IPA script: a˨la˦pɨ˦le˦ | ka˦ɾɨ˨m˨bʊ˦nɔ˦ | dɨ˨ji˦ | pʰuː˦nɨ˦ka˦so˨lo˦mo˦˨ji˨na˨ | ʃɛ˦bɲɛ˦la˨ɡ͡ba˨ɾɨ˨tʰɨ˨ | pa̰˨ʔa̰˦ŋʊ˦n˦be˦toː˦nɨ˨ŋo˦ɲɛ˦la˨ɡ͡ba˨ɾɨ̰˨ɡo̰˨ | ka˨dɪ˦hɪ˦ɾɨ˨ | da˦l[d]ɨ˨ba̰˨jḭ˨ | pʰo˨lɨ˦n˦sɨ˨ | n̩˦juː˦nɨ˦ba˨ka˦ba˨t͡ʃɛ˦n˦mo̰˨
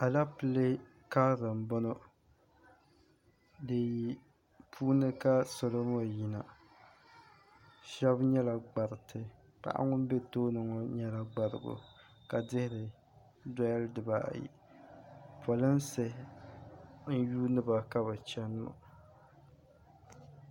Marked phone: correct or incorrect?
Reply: correct